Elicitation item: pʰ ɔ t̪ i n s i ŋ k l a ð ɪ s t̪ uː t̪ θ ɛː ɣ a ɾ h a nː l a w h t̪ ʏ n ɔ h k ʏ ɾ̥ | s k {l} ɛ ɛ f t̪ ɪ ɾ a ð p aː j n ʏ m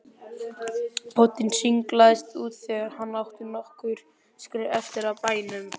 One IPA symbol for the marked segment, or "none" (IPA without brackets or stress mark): ɾ